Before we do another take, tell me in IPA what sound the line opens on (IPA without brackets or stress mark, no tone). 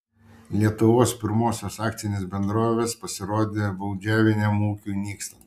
lʲ